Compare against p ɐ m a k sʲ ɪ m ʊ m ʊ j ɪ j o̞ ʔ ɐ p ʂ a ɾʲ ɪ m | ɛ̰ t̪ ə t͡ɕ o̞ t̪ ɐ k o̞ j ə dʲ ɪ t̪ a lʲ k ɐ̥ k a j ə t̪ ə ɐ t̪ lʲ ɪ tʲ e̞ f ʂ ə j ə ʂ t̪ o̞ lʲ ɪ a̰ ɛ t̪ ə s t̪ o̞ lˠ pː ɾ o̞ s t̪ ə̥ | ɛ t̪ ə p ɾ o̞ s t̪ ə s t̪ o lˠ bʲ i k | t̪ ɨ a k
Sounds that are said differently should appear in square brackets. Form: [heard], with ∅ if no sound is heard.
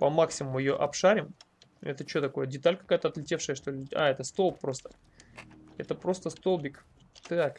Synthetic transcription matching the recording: p ɐ m a k sʲ ɪ m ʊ m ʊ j ɪ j o̞ ʔ ɐ p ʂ a ɾʲ ɪ m | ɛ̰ t̪ ə t͡ɕ o̞ t̪ ɐ k o̞ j ə dʲ ɪ t̪ a lʲ k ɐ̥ k a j ə t̪ ə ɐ t̪ lʲ ɪ tʲ e̞ f ʂ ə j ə ʂ t̪ o̞ lʲ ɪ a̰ ɛ t̪ ə s t̪ o̞ lˠ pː ɾ o̞ s t̪ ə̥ | ɛ t̪ ə p ɾ o̞ s t̪ ə s t̪ o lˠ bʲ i k | t̪ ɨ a k